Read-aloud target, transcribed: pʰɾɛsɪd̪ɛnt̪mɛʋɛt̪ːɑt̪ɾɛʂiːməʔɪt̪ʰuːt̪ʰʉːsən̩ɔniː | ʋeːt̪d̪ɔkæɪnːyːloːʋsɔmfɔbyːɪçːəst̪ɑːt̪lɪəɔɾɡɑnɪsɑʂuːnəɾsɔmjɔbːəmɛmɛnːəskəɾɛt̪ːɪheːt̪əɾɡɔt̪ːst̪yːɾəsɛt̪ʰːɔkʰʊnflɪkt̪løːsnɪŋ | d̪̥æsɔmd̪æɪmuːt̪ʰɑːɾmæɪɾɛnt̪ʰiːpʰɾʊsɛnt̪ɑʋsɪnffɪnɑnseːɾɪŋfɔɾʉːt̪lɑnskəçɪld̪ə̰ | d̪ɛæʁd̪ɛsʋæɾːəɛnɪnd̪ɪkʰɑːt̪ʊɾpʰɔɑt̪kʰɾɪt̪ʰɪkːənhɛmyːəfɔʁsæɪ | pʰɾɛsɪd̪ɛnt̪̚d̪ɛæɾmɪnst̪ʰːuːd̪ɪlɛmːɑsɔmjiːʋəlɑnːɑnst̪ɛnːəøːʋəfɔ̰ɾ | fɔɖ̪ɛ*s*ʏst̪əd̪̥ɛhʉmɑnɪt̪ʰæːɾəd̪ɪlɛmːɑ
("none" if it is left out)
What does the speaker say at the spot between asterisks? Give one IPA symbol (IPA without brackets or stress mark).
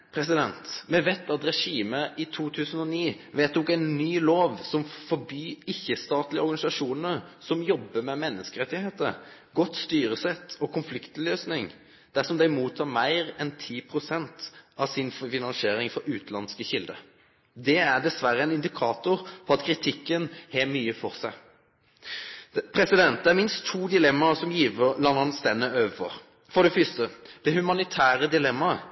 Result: f